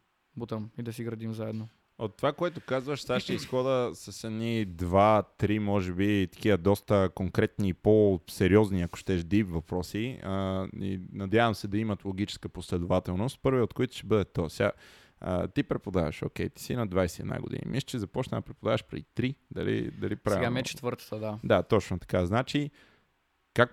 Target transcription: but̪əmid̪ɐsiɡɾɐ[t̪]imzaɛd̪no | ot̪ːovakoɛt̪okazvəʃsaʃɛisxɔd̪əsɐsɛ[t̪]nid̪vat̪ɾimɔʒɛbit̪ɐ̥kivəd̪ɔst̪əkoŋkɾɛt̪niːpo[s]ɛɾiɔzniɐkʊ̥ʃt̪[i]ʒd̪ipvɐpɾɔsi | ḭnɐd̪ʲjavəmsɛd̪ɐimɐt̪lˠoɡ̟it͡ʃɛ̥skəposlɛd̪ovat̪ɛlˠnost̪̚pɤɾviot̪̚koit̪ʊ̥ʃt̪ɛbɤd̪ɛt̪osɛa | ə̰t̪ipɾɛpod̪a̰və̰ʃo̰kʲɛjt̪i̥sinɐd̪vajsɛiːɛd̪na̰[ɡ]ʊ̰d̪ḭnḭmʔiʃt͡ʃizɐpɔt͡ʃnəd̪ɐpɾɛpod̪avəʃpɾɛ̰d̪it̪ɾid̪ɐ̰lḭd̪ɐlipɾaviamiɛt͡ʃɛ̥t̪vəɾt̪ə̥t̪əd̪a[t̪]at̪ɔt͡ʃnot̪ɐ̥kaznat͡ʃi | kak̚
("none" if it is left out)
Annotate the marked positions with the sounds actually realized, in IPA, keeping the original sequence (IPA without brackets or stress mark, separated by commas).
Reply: d̪, d̪, s, ɛ, ɡ, d̪